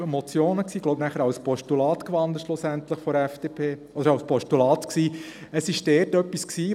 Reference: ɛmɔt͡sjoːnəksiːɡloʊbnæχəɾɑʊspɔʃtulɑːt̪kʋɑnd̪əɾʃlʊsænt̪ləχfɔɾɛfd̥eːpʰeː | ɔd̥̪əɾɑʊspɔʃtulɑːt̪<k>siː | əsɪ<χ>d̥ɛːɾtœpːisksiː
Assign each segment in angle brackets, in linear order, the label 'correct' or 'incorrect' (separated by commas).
correct, incorrect